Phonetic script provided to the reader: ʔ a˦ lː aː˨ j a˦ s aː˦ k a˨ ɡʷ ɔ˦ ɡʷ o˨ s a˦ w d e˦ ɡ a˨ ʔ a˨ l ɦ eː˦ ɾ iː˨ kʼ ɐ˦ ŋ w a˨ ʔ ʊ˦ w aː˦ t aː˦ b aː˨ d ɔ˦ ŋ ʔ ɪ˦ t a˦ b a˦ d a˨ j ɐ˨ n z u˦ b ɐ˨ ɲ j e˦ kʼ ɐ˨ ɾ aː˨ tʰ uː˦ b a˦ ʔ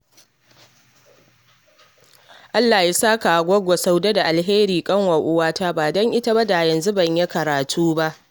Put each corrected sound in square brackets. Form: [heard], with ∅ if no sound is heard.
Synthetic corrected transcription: ʔ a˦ lː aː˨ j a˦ s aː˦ k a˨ ɡʷ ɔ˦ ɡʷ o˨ s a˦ w d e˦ [d] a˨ ʔ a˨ l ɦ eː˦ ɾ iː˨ kʼ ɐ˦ ŋ w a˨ ʔ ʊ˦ w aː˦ t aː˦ b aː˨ d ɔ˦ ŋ ʔ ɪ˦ t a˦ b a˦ d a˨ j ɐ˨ n z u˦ b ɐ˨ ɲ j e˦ [k] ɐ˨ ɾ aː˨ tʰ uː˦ b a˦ ʔ